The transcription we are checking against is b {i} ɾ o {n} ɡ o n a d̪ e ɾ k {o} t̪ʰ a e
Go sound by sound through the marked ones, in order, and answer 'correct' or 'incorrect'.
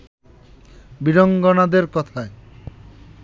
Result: correct, incorrect, incorrect

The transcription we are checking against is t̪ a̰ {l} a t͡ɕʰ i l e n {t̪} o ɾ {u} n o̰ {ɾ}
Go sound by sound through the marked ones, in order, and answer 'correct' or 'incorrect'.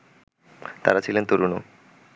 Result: incorrect, correct, correct, incorrect

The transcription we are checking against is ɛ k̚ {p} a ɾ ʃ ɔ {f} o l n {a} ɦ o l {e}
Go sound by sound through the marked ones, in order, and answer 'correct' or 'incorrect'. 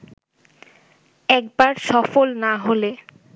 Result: incorrect, correct, correct, correct

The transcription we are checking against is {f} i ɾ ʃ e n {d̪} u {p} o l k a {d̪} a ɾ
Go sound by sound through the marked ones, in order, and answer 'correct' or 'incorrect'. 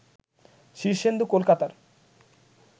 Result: incorrect, correct, incorrect, incorrect

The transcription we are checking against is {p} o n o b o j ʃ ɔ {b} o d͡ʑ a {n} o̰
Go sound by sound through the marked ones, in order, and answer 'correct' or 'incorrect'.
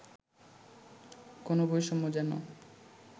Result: incorrect, incorrect, correct

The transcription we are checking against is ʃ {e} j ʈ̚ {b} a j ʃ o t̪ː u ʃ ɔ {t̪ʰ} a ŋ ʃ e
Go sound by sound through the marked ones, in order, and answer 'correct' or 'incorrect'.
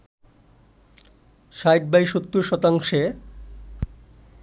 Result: incorrect, correct, incorrect

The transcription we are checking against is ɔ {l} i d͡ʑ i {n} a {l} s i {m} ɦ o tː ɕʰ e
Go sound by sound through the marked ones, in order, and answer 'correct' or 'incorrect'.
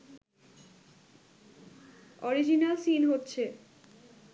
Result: incorrect, correct, correct, incorrect

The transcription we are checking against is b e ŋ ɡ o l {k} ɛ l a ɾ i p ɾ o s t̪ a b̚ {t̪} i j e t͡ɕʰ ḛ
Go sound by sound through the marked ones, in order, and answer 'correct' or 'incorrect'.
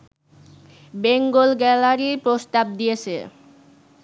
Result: incorrect, incorrect

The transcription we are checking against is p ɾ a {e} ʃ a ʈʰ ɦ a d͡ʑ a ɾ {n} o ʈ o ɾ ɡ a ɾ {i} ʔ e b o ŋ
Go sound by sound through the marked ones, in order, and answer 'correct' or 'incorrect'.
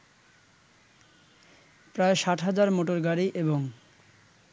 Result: correct, incorrect, correct

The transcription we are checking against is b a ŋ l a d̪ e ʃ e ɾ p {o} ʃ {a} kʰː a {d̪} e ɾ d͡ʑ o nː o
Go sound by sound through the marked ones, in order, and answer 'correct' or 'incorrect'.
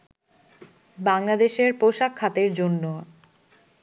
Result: correct, correct, incorrect

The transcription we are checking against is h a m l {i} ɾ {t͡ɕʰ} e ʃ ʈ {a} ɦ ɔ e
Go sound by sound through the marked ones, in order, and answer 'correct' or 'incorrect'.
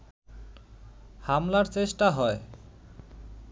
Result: incorrect, incorrect, correct

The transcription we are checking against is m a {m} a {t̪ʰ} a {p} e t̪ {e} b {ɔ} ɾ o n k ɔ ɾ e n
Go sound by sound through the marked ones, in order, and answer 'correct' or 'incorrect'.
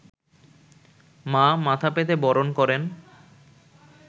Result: correct, correct, correct, correct, correct

